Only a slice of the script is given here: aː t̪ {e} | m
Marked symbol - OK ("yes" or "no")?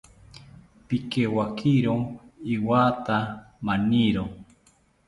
no